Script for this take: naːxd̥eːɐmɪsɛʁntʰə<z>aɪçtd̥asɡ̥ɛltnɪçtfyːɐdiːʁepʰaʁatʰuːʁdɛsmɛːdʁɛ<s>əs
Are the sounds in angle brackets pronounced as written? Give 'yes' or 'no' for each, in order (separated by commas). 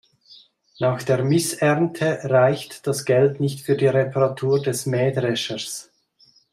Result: no, no